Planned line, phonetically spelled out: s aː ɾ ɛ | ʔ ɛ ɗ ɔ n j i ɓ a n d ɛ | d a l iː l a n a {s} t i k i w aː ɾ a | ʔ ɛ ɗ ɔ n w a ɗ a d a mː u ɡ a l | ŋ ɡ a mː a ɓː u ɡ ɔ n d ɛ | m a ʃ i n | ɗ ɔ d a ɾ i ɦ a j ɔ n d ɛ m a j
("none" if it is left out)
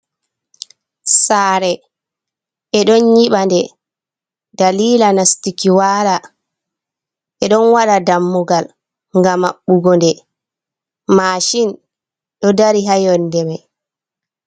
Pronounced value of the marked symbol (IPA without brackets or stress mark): s